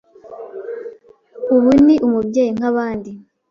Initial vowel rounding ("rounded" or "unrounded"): rounded